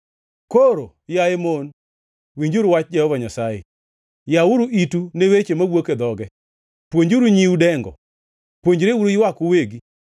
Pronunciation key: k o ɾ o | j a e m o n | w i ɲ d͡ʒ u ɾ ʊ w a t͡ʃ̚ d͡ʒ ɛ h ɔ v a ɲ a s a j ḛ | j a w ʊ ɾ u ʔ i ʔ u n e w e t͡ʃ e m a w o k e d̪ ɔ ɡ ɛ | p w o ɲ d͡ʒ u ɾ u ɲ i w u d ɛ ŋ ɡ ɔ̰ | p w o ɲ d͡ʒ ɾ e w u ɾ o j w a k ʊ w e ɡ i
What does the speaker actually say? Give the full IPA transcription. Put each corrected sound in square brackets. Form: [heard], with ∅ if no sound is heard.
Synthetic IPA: k o ɾ o | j a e m o n | w i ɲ d͡ʒ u ɾ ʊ w a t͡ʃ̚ d͡ʒ ɛ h ɔ v a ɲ a s a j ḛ | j a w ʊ ɾ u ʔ i [t] u n e w e t͡ʃ e m a w o k e d̪ ɔ ɡ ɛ | p w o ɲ d͡ʒ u ɾ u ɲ i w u d ɛ ŋ ɡ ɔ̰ | p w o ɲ d͡ʒ ɾ e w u ɾ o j w a k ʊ w e ɡ i